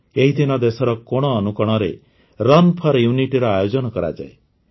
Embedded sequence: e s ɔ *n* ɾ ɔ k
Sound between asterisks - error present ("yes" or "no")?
yes